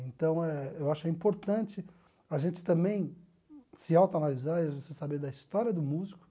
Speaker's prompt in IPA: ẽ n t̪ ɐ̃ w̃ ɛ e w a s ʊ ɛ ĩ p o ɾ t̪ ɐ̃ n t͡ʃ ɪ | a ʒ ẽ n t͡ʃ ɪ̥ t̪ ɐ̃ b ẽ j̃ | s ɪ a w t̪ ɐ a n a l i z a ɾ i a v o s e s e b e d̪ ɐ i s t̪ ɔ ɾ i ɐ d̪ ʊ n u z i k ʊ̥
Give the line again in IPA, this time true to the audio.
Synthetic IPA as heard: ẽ n t̪ ɐ̃ w̃ ɛ e w a ʃ ʊ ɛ ĩ p o ɾ t̪ ɐ̃ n t͡ʃ ɪ | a ʒ ẽ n t͡ʃ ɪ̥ t̪ ɐ̃ b ẽ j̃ | s ɪ a w t̪ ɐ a n a l i z a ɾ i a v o s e s a b e d̪ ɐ i s t̪ ɔ ɾ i ɐ d̪ ʊ m u z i k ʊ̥